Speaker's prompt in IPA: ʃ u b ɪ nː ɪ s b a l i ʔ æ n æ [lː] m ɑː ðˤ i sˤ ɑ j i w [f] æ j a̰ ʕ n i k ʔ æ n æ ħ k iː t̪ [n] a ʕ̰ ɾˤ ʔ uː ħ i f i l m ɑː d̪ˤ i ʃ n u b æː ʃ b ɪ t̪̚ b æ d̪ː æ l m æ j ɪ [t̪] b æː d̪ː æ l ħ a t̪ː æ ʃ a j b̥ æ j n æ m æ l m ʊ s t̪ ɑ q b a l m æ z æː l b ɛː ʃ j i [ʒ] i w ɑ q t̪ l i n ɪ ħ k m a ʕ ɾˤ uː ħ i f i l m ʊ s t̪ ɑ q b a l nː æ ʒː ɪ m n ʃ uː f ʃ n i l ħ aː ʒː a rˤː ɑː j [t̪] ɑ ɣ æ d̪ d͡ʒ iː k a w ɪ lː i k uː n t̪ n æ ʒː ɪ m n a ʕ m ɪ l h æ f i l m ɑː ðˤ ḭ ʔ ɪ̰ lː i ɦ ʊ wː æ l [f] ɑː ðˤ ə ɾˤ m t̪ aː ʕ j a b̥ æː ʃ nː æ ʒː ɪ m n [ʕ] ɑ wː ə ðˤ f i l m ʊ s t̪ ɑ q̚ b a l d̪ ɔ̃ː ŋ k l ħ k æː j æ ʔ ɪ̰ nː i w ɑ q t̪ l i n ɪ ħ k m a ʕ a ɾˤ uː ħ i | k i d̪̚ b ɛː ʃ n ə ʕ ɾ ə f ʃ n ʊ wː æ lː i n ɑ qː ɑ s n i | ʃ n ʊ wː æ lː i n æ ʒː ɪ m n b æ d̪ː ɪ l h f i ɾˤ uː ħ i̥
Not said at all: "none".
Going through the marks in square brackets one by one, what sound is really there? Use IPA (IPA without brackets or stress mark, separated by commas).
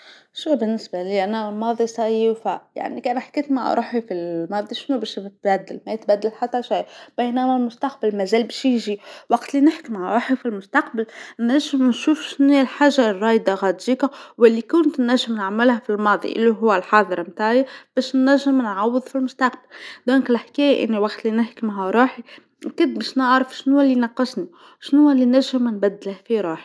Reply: l, f, m, t̪, ʒ, d̪, ħ, ʕ